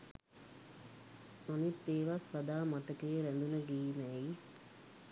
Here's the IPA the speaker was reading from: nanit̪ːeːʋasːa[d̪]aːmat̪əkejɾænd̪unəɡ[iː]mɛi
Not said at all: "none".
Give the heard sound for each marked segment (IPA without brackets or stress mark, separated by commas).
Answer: d̪, iː